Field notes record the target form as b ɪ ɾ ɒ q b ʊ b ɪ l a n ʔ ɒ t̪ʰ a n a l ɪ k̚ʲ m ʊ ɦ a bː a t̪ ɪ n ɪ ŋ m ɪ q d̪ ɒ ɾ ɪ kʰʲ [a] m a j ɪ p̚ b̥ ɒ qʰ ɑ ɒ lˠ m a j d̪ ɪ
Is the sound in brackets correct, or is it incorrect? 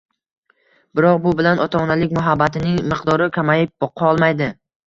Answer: correct